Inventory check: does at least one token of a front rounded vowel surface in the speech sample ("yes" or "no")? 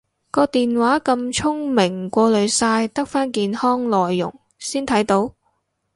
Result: no